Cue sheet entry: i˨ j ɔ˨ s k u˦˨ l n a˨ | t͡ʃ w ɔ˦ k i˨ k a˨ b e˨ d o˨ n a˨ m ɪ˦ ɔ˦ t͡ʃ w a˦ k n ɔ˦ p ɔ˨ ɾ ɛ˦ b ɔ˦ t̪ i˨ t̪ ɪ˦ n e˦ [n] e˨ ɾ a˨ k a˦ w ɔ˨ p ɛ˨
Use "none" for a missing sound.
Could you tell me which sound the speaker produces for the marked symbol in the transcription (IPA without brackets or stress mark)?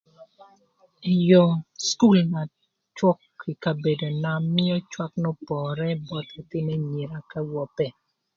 ɲ